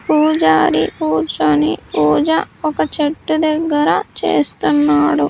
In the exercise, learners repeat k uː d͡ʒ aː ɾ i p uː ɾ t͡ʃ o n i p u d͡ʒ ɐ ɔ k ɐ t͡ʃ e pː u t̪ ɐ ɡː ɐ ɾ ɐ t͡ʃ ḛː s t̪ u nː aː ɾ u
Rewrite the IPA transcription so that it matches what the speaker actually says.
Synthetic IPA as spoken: p uː d͡ʒ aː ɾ i p uː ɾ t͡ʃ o n i p uː d͡ʒ ɐ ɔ k ɐ t͡ʃ e ʈː u d̪ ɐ ɡː ɐ ɾ ɐ t͡ʃ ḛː s t̪ u nː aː ɽ u